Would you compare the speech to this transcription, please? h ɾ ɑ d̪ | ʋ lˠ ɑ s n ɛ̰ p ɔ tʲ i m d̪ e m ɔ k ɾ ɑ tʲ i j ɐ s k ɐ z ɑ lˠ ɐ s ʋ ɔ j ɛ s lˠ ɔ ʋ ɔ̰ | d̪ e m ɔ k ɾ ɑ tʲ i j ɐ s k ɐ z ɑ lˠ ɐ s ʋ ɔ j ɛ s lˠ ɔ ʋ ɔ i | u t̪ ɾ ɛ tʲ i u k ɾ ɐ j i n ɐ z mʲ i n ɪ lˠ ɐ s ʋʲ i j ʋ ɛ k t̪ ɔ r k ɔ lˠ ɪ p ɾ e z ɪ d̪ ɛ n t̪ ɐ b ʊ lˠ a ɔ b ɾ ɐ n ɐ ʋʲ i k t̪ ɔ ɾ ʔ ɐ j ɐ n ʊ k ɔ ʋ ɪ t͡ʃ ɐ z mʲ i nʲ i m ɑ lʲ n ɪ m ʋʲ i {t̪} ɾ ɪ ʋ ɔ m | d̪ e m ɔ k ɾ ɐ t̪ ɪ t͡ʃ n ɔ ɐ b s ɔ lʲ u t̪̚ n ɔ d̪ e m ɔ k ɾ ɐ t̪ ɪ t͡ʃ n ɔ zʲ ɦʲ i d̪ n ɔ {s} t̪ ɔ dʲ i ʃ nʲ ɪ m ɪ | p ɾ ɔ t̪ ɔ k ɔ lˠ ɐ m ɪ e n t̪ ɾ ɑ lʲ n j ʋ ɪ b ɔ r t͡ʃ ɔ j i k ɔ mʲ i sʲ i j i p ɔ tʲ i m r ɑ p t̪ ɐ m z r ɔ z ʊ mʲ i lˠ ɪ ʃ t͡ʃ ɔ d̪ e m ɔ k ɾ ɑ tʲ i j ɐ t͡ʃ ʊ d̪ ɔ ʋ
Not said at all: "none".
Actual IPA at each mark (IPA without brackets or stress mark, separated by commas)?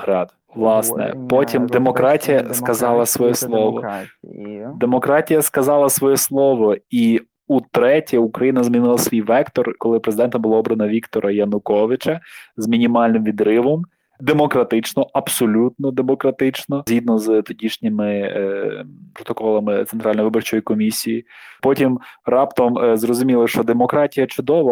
d̪, z